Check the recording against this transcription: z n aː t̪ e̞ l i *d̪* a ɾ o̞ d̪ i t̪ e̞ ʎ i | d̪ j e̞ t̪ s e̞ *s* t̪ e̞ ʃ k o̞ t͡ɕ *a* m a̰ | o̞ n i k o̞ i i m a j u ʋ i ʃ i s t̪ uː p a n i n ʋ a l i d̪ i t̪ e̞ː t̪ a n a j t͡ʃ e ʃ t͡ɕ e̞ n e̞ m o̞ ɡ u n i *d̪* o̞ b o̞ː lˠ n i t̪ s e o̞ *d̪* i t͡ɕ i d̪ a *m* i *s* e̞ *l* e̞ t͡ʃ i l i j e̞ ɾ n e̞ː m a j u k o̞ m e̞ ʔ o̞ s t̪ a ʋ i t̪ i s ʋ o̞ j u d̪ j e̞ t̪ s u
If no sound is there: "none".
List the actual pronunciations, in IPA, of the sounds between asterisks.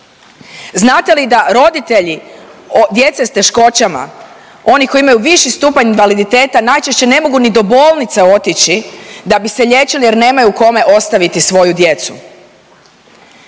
d̪, s, a, d̪, t̪, b, s, ʎ

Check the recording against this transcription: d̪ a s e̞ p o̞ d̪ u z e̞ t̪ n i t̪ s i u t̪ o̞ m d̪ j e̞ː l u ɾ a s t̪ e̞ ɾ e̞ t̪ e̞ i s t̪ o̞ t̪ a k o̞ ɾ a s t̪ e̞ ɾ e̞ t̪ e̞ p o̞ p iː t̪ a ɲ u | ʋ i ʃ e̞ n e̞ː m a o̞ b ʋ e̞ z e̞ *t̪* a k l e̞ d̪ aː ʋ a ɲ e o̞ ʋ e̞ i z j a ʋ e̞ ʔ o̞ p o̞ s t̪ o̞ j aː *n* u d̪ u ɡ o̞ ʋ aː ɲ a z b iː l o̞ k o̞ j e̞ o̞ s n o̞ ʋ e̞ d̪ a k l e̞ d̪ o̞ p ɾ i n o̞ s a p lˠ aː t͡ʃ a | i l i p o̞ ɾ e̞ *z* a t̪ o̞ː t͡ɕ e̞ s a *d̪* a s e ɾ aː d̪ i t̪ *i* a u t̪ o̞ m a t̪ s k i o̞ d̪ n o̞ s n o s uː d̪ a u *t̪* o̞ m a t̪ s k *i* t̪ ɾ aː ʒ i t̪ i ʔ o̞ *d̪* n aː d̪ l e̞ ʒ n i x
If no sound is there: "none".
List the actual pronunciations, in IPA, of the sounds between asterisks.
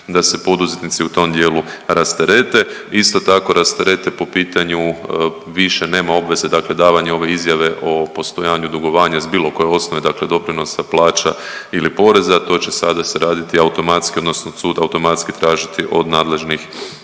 d̪, ɲ, z, d̪, i, t̪, i, d̪

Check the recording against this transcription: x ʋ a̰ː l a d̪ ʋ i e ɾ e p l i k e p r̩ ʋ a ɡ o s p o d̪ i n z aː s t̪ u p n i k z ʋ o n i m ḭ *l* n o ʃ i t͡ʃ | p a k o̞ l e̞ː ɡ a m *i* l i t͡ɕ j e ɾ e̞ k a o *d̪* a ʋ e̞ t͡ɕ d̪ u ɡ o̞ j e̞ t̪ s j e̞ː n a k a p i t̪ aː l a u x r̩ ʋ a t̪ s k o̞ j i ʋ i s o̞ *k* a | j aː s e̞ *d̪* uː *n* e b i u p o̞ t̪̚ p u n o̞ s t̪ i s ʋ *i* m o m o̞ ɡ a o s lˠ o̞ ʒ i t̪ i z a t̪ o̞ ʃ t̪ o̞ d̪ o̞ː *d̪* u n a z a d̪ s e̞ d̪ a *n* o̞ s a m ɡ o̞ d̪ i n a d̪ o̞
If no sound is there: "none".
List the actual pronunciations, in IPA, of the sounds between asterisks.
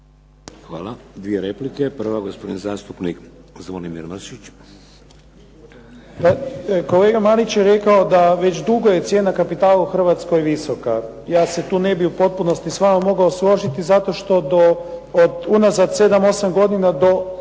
ɾ, a, d̪, k, t̪, n, a, d̪, m

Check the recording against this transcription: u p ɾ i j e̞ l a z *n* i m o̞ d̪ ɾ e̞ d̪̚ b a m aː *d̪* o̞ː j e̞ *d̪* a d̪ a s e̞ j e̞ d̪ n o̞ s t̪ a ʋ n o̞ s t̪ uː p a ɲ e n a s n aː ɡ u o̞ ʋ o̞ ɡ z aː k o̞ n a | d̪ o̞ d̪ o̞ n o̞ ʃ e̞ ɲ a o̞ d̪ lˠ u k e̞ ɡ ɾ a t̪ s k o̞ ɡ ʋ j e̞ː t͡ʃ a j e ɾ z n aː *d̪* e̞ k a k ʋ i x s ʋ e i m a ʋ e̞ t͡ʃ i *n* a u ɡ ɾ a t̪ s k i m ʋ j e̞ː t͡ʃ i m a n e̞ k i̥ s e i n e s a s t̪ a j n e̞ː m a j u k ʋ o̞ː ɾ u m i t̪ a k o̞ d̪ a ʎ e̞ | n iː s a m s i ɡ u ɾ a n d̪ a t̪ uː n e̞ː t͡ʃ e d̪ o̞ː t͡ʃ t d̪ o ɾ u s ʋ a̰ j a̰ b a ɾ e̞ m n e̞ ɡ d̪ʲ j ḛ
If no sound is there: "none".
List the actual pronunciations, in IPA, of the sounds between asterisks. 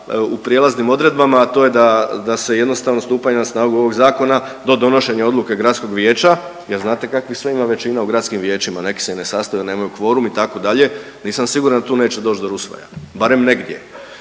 n, t̪, d̪, t̪, n

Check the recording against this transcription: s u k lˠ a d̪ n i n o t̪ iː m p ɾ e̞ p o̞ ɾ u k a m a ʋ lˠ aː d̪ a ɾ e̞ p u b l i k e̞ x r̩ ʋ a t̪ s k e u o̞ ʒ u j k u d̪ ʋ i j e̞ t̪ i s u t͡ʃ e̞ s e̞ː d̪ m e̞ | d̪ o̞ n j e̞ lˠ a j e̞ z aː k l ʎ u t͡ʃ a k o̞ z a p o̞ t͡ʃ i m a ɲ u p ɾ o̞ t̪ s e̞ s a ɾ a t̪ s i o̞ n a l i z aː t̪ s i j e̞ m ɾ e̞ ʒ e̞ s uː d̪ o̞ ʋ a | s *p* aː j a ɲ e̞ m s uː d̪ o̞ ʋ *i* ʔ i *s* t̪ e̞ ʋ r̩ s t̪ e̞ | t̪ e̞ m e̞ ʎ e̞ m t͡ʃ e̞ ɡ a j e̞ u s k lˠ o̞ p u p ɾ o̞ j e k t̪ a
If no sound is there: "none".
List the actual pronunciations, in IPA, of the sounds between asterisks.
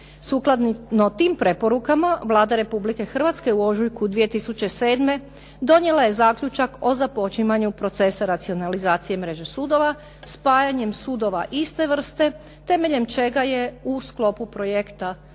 p, a, s

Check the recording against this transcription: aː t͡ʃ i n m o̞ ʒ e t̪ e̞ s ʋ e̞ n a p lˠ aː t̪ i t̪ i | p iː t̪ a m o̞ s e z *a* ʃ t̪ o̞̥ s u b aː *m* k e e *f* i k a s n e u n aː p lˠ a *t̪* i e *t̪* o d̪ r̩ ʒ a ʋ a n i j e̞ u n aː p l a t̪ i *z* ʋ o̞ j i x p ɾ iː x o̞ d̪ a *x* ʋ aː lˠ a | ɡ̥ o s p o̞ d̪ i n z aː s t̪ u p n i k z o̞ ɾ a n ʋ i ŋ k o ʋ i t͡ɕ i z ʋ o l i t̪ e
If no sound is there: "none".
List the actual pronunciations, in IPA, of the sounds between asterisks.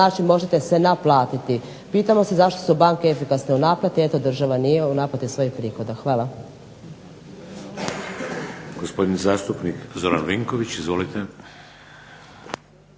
a, ŋ, f, t̪, t̪, s, x

